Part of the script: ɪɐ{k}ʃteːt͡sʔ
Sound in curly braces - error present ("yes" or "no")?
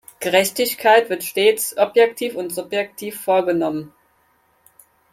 yes